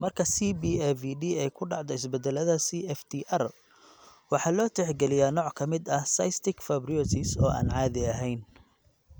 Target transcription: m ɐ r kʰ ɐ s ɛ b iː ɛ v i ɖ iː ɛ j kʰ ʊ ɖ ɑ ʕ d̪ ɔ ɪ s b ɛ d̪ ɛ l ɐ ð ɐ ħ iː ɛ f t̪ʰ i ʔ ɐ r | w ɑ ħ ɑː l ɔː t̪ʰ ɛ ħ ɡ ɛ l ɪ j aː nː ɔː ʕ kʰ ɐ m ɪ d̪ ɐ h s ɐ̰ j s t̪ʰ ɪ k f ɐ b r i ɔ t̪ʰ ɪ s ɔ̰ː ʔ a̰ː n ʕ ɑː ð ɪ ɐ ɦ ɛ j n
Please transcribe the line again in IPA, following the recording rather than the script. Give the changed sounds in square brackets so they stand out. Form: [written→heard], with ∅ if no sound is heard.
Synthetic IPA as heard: m ɐ r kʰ ɐ s [ɛ→i] b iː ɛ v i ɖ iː ɛ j kʰ ʊ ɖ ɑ ʕ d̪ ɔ ɪ s b ɛ d̪ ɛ l ɐ ð ɐ [ħ→s] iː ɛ f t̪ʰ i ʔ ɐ r | w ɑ ħ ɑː l ɔː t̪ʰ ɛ ħ ɡ ɛ l ɪ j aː [nː→n] ɔː ʕ kʰ ɐ m ɪ d̪ ɐ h s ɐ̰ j s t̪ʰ ɪ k f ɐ b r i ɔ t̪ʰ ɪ s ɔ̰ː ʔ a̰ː n ʕ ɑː ð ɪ ɐ ɦ ɛ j n